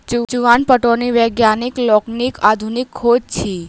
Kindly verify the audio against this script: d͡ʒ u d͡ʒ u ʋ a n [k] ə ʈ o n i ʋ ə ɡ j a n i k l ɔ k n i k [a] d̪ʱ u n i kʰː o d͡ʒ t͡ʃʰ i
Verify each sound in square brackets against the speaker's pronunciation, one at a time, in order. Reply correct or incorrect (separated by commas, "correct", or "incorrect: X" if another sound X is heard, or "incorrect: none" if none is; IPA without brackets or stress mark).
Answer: incorrect: p, correct